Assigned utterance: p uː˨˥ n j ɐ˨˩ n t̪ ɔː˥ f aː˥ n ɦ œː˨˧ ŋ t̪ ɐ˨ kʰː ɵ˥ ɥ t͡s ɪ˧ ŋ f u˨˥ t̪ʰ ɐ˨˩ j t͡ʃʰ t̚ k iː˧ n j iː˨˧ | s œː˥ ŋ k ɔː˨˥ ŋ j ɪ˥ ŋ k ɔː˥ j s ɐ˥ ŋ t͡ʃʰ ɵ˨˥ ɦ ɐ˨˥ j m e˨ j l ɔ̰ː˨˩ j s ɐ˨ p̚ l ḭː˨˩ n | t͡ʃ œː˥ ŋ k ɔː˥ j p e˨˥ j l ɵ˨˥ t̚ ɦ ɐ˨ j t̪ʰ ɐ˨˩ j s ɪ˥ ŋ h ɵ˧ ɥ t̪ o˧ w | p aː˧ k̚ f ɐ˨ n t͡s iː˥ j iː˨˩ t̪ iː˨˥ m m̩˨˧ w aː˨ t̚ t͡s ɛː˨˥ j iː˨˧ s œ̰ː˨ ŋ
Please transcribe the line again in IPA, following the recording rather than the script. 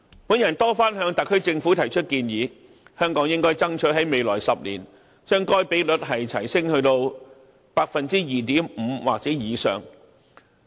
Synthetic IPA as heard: p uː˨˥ n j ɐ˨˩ n t̪ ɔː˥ f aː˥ n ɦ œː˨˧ ŋ t̪ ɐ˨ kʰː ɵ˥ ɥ t͡s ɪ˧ ŋ f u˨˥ t̪ʰ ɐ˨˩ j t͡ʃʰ t̚ k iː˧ n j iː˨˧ | h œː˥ ŋ k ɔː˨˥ ŋ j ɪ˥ ŋ k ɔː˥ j t͡s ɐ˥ ŋ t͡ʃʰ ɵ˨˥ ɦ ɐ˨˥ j m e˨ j l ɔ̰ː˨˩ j s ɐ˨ p̚ l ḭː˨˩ n | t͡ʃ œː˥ ŋ k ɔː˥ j p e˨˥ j l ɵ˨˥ t̚ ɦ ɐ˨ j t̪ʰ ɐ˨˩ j s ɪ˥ ŋ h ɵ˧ ɥ t̪ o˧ w | p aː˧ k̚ f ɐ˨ n t͡s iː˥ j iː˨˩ t̪ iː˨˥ m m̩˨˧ w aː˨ k̚ t͡s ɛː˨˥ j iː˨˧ s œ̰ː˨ ŋ